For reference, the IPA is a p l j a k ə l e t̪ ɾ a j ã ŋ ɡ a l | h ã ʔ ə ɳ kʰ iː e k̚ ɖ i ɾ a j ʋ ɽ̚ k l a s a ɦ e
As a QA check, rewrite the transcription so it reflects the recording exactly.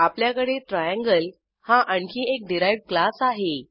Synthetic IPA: a p l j a k ə ɽ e t̪ ɾ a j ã ŋ ɡ ə l | h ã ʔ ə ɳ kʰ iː e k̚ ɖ i ɾ a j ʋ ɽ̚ k l a s a ɦ e